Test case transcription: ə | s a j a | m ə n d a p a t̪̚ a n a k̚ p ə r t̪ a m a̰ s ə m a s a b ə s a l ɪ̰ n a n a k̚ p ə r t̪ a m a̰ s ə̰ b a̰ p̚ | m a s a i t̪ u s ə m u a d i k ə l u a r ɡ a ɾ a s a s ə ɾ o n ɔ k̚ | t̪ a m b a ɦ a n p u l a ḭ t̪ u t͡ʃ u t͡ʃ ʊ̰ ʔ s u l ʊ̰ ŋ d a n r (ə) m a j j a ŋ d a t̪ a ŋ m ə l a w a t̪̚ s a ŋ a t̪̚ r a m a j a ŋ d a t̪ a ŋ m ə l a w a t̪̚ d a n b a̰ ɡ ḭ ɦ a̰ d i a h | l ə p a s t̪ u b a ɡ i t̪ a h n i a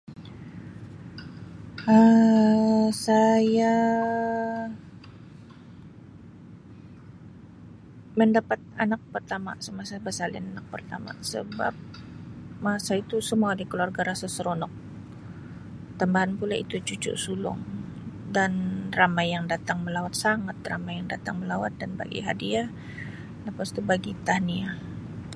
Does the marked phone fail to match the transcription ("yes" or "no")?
yes